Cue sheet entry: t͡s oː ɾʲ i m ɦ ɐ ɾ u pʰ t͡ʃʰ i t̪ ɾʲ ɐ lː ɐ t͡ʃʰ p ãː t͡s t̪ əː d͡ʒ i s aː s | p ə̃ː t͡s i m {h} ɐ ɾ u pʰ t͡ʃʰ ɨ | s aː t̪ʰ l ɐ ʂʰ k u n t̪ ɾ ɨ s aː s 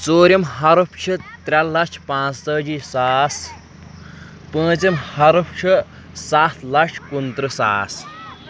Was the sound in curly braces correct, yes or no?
yes